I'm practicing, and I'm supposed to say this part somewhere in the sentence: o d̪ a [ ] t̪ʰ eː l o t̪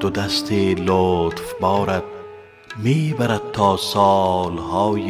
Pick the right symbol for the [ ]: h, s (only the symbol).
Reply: s